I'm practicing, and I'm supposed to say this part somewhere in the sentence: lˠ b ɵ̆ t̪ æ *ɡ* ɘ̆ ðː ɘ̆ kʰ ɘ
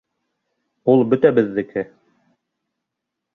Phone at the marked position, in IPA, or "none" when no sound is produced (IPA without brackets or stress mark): b